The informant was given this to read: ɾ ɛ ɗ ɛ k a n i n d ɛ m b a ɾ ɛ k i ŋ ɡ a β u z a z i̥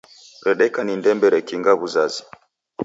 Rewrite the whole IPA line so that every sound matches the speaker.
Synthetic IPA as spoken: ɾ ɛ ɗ ɛ k a n i n d ɛ m b ɛ ɾ ɛ k i ŋ ɡ a β u z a z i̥